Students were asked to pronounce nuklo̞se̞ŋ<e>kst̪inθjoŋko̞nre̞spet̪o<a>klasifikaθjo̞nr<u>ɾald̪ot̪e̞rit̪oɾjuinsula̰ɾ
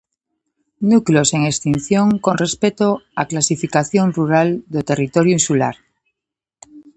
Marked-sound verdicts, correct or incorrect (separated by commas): correct, correct, correct